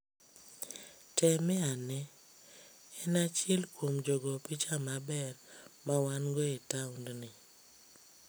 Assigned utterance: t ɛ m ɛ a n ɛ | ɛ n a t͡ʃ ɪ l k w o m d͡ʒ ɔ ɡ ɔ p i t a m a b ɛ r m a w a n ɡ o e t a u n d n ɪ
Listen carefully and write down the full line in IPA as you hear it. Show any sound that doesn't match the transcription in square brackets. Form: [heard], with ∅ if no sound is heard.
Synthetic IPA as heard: t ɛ m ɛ a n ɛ | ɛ n a t͡ʃ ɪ l k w o m d͡ʒ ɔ ɡ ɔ p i [t͡ʃ] a m a b ɛ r m a w a n ɡ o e t a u n d n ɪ